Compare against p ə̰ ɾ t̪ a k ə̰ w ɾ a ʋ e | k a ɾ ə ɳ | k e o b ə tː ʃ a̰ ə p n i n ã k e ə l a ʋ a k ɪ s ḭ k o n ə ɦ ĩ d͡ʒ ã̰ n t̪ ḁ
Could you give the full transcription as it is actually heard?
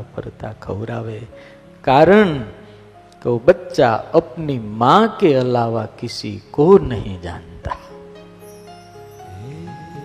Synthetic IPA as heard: p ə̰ ɾ t̪ a kʰ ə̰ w ɾ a ʋ e | k a ɾ ə ɳ | k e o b ə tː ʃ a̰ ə p n i m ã k e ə l a ʋ a k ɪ s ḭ k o n ə ɦ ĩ d͡ʒ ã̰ n t̪ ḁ